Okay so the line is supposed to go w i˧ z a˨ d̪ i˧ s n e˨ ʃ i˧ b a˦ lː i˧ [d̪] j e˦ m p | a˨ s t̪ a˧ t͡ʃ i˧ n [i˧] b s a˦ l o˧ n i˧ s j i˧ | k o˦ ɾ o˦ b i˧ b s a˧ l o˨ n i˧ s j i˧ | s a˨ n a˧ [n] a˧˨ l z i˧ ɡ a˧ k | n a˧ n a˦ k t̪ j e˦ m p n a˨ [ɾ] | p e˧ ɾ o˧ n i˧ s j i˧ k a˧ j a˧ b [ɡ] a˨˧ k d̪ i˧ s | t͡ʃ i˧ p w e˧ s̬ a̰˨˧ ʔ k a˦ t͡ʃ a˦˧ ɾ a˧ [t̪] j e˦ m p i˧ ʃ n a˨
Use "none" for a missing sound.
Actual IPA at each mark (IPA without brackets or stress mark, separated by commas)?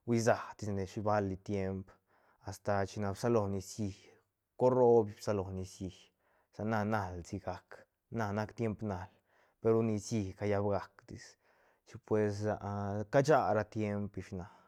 t̪, a˧, n, l, ɡ, t̪